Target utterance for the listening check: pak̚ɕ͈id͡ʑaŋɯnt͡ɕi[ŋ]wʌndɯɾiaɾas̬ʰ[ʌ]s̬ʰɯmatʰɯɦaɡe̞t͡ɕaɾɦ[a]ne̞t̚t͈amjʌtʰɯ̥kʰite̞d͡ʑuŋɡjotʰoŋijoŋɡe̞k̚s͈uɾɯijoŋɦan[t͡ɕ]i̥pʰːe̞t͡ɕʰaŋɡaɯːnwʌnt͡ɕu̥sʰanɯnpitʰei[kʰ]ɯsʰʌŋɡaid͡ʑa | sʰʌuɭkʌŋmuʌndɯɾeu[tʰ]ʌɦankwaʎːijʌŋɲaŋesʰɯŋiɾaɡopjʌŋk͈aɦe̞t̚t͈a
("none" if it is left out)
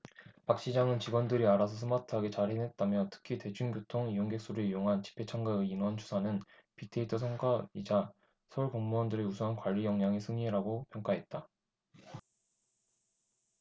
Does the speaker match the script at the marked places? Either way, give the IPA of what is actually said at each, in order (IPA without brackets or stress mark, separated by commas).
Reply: ɡ, ʌ, e, t͡ɕ, tʰ, sʰ